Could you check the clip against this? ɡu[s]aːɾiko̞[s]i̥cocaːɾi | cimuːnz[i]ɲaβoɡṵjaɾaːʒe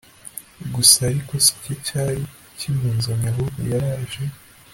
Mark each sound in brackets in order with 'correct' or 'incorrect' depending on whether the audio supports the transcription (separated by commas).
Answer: correct, correct, incorrect